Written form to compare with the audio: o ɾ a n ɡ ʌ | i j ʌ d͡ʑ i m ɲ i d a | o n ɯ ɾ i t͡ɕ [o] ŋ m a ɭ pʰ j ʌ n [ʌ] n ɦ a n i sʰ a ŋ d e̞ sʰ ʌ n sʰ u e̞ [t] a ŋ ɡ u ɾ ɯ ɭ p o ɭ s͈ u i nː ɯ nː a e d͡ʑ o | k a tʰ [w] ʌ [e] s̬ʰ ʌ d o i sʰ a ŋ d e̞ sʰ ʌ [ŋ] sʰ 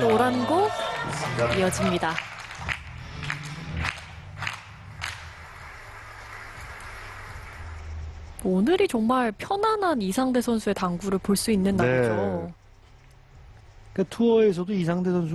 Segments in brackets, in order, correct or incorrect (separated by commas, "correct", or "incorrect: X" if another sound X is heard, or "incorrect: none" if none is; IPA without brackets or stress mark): correct, incorrect: a, correct, incorrect: u, correct, incorrect: n